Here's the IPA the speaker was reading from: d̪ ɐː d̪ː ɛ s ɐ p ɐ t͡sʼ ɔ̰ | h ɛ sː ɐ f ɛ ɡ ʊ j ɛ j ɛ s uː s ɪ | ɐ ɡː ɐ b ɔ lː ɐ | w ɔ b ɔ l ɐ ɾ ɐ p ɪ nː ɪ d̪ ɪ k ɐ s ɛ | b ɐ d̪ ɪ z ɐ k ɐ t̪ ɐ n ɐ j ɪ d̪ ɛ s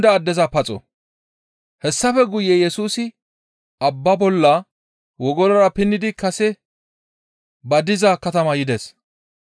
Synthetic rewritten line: d̪ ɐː d̪ː ɛ z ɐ p ɐ t͡sʼ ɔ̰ | h ɛ sː ɐ f ɛ ɡ ʊ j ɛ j ɛ s uː s ɪ | ɐ bː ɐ b ɔ lː ɐ | w ɔ ɡ ɔ l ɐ ɾ ɐ p ɪ nː ɪ d̪ ɪ k ɐ s ɛ | b ɐ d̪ ɪ z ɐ k ɐ t̪ ɐ m ɐ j ɪ d̪ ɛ s